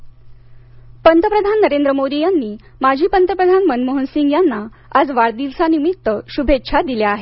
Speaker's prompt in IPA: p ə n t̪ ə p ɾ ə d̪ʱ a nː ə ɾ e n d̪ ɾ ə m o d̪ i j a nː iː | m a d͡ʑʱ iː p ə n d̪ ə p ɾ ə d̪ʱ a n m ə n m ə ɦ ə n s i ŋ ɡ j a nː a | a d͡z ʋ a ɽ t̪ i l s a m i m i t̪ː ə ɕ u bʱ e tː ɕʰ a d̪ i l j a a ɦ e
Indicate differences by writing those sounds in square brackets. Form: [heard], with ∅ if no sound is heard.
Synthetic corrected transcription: p ə n t̪ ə p ɾ ə d̪ʱ a nː ə ɾ e n d̪ ɾ ə m o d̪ i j a nː iː | m a d͡ʑʱ iː p ə n [t̪] ə p ɾ ə d̪ʱ a n m ə n m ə ɦ ə n s i ŋ ɡ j a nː a | a d͡z ʋ a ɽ [d̪] i l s a [n] i m i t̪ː ə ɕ u bʱ e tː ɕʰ a d̪ i l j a a ɦ e